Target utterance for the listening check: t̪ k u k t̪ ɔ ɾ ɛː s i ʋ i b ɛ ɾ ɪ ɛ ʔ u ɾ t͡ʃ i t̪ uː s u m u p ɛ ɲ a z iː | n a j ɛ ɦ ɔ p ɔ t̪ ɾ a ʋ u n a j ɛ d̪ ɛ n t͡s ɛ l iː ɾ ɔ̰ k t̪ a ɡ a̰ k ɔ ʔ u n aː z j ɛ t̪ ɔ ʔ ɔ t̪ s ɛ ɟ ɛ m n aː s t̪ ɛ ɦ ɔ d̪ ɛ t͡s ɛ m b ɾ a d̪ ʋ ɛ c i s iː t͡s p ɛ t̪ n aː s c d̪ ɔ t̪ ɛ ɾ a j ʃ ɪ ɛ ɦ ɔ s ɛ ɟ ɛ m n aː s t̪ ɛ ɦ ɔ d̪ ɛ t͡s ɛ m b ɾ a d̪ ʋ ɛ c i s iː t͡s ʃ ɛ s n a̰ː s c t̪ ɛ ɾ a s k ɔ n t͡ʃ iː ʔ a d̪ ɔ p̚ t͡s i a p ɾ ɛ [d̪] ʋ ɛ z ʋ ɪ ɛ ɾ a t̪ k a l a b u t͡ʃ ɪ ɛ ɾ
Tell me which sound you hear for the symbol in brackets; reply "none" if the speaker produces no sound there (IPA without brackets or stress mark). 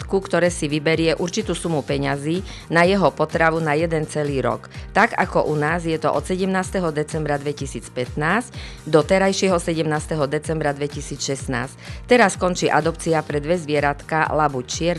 d̪